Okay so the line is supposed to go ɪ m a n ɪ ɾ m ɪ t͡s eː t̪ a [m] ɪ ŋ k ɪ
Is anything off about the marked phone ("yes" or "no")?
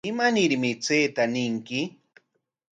yes